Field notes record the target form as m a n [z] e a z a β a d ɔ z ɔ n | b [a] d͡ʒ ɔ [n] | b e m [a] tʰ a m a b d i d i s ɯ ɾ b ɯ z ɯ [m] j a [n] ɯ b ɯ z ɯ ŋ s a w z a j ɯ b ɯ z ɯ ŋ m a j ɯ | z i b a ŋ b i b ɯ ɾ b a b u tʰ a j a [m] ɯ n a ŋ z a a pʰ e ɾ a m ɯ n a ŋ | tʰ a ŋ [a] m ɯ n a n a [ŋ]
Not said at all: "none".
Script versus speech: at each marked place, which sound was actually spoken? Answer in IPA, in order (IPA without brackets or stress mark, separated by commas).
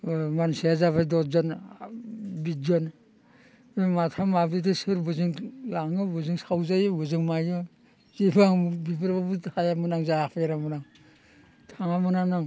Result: s, i, n, a, ŋ, ŋ, m, a, ŋ